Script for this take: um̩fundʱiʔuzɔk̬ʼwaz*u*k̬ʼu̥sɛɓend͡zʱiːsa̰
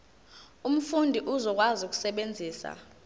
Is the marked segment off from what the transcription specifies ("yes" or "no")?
no